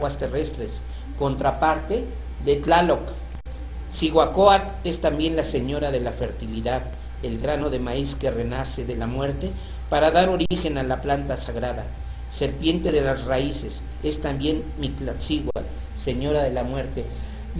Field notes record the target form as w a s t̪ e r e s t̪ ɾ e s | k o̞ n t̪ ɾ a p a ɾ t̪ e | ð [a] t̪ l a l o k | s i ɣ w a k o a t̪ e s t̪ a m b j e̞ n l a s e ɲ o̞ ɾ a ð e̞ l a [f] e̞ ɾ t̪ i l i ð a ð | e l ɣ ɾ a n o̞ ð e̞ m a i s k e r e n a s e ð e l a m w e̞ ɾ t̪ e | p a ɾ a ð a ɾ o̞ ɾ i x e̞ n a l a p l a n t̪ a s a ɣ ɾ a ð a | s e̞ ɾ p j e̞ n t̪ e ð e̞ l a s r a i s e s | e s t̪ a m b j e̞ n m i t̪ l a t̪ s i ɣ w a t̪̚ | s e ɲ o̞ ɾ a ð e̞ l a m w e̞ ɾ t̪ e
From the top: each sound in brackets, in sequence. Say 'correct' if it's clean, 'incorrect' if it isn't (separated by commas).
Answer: incorrect, correct